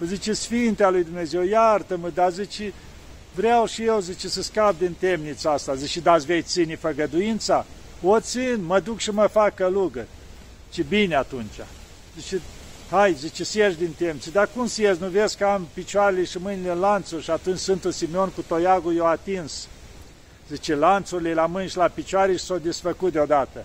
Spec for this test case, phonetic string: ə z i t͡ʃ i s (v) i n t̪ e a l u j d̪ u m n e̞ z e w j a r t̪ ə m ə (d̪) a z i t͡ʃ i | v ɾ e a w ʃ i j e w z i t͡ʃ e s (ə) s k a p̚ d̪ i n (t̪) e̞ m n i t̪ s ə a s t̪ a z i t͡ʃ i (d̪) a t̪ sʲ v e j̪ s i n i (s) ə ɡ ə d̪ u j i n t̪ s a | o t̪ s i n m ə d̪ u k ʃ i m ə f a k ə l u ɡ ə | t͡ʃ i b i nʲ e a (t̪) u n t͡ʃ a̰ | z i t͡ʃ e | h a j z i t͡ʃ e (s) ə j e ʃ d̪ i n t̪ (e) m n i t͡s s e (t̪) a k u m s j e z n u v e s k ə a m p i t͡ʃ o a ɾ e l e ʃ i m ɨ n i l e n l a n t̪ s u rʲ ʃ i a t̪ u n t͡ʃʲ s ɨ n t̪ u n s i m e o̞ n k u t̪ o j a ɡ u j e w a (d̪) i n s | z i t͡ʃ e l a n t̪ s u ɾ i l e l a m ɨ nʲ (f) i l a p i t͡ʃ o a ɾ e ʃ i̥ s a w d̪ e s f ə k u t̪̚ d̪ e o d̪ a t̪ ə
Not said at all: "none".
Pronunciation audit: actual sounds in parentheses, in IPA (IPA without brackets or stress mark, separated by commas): f, d̪, ə, t̪, d̪, f, t̪, s, e, d̪, t̪, ʃ